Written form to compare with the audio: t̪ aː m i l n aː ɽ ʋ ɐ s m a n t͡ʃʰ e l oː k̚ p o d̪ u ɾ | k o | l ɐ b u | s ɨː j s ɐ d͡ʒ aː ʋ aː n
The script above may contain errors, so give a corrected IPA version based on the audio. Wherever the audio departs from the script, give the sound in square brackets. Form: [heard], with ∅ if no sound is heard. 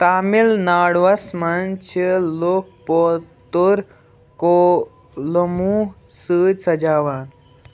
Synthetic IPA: t̪ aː m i l n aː ɽ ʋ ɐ s m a n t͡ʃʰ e l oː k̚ p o [t̪] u ɾ | k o | l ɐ [m] u | s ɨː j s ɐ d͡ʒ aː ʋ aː n